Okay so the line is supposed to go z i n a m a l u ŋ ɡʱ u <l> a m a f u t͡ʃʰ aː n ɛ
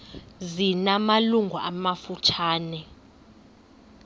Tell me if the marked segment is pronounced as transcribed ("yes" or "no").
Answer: no